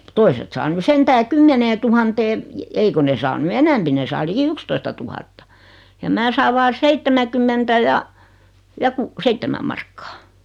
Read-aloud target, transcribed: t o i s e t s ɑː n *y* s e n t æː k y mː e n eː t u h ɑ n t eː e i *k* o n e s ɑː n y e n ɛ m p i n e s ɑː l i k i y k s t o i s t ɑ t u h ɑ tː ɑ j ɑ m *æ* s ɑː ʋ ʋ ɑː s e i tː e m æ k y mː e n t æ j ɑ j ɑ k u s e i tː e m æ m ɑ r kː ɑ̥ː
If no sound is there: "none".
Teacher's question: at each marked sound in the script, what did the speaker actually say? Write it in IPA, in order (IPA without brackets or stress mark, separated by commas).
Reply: y, k, æː